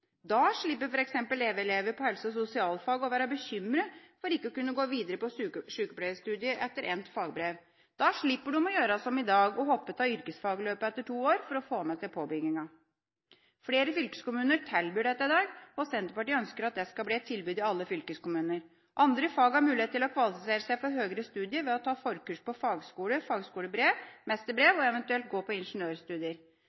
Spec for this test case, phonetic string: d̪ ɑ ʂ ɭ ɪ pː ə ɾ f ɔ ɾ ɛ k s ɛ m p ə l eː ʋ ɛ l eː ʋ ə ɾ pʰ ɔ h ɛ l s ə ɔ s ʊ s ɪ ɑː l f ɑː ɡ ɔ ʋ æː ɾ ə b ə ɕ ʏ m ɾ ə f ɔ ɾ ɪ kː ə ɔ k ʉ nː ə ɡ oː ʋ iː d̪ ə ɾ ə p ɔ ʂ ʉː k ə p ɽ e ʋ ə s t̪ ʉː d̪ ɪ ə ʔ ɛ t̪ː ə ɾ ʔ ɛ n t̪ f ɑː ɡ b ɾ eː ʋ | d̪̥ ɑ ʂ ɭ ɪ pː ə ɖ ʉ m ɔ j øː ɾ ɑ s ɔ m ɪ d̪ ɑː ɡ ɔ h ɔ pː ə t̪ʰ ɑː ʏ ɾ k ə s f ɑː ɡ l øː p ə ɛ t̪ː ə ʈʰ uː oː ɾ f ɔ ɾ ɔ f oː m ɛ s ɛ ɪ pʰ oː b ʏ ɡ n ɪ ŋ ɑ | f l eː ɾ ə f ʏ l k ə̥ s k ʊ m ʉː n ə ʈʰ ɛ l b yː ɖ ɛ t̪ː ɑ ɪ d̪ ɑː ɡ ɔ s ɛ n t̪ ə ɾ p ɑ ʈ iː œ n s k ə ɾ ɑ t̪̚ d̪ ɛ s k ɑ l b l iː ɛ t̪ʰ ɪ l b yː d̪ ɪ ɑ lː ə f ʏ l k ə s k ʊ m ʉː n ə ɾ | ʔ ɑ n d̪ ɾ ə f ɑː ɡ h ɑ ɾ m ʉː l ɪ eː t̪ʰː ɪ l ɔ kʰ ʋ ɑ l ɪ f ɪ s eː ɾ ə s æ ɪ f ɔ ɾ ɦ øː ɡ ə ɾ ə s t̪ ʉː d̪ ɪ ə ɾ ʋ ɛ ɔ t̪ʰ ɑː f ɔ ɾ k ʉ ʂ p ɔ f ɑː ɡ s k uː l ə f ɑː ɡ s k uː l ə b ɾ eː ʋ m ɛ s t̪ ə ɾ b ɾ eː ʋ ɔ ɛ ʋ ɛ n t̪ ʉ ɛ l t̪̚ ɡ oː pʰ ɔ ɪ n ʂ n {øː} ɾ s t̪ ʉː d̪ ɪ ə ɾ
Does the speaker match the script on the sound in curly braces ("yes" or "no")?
yes